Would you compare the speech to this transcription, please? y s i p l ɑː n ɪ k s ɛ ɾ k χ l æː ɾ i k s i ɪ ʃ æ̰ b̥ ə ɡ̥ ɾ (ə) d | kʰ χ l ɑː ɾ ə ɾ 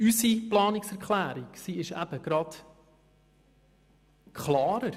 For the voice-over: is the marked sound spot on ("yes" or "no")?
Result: no